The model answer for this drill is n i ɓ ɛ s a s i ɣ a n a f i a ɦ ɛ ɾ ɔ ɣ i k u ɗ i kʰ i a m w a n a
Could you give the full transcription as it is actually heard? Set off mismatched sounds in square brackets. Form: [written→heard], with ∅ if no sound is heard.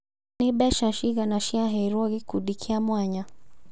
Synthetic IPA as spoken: n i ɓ ɛ [s→ʃ] a [s→ʃ] i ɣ a n a [f→ʃ] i a ɦ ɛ ɾ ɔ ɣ i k u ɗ i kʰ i a m w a [n→ɲ] a